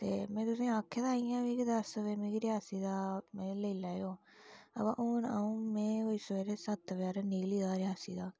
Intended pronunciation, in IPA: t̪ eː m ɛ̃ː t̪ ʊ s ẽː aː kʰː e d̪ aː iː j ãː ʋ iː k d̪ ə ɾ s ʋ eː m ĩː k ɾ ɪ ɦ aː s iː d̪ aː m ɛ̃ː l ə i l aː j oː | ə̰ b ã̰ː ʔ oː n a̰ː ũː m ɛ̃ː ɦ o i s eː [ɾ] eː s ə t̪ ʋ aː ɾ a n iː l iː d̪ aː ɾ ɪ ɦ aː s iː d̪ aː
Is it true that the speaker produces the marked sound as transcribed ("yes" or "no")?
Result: yes